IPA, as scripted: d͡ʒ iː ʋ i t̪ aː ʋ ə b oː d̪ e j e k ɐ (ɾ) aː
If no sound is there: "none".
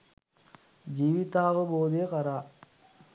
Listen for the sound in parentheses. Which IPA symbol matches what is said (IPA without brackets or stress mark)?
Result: ɾ